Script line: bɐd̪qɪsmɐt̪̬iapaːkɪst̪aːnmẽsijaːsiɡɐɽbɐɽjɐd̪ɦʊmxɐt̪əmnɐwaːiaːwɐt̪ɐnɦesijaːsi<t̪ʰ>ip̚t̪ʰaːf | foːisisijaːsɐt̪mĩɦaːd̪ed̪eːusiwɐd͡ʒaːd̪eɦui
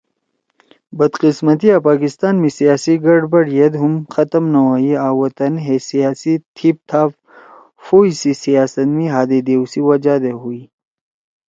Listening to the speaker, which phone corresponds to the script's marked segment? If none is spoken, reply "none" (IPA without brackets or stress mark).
t̪ʰ